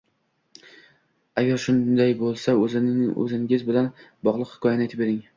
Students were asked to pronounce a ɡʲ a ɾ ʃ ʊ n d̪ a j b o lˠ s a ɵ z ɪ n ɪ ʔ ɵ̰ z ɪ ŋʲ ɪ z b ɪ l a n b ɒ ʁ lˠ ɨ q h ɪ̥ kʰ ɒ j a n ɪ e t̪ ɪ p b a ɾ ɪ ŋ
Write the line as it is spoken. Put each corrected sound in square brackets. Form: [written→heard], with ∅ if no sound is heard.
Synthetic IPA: a ɡʲ a ɾ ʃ ʊ n d̪ a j b o lˠ s a ɵ z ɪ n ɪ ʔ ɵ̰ z ɪ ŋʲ ɪ z b ɪ l a n b ɒ ʁ lˠ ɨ q h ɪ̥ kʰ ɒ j a n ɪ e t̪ ɪ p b [a→e] ɾ ɪ ŋ